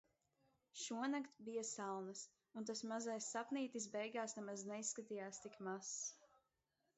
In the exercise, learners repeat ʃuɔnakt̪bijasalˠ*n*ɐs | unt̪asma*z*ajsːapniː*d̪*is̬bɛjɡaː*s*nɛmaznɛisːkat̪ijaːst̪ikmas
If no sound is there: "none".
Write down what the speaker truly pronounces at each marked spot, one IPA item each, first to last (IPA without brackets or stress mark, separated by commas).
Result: n, z, t̪, s